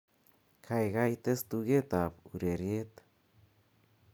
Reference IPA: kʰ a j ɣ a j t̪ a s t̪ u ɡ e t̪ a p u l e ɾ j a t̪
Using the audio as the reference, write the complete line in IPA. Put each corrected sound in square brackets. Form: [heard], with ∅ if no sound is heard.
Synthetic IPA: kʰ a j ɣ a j t̪ [e] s t̪ u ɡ e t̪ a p u [ɾ] e ɾ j [e] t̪